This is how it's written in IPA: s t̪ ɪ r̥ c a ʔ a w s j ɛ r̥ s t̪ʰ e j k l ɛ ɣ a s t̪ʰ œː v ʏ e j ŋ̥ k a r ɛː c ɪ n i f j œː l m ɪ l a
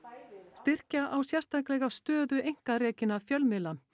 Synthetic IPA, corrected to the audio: s t̪ ɪ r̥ c a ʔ a w s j ɛ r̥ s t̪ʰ a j k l ɛ ɣ a s t̪ œː ð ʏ e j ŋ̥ k a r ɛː c ɪ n a f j œ l m ɪ l a